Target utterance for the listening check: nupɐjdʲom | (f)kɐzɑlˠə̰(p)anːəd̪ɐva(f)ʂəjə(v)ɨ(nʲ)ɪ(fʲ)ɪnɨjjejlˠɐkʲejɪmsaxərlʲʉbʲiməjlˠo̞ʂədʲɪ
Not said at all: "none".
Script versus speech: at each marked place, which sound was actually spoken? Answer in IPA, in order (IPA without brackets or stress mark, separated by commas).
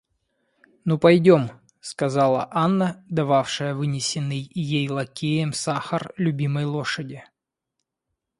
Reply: s, ʔ, f, v, nʲ, sʲ